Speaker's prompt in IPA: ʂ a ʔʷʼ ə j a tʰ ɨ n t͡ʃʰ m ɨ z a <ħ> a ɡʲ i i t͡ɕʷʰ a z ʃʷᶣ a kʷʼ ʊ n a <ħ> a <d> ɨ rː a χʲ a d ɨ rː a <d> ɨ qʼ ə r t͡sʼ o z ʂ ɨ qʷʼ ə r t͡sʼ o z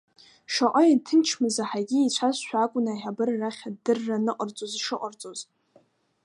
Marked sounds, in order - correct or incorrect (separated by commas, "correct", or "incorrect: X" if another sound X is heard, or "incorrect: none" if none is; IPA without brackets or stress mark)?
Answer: correct, correct, incorrect: b, incorrect: n